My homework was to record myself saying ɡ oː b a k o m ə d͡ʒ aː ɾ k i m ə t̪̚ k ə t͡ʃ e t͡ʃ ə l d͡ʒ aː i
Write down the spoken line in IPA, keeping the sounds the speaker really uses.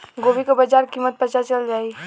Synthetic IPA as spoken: ɡ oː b i k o b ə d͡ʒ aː ɾ k i m ə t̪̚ p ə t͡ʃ a t͡ʃ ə l d͡ʒ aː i